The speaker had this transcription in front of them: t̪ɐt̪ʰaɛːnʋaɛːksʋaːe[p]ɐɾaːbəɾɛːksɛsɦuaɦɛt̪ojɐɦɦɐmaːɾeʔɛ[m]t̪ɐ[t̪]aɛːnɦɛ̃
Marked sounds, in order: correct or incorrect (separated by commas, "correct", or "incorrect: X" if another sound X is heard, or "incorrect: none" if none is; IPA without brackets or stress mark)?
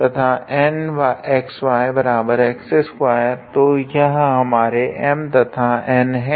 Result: incorrect: b, correct, incorrect: t̪ʰ